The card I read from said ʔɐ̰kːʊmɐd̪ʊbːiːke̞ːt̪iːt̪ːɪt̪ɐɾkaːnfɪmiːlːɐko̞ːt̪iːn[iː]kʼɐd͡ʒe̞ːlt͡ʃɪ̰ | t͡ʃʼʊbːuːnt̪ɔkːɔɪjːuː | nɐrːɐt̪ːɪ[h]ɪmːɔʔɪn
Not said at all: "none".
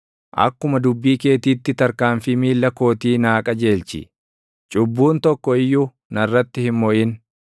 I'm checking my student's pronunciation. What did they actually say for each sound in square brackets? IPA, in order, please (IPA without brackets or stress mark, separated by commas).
aː, h